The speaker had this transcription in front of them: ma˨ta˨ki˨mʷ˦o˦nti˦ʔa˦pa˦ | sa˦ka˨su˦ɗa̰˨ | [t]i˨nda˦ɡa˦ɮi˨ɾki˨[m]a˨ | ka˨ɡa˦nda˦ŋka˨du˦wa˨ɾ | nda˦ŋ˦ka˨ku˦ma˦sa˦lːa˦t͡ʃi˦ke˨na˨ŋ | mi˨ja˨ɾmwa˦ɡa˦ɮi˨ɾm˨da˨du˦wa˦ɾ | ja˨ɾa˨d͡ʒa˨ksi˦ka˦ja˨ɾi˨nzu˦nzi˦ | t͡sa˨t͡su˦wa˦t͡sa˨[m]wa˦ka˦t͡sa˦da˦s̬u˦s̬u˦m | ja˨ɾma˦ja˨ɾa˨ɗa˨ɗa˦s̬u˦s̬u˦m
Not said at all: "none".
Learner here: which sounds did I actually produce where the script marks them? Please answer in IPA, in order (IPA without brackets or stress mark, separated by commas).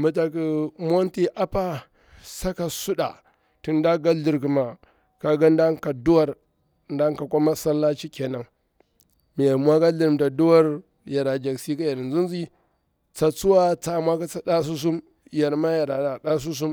t, m, m